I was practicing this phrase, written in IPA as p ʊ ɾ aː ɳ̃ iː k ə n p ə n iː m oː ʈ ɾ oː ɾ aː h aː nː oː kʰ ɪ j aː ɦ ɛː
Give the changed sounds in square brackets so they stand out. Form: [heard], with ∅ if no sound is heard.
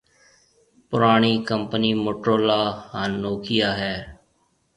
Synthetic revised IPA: p ʊ ɾ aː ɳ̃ iː k ə [m] p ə n iː m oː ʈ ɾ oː [l] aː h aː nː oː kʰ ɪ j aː ɦ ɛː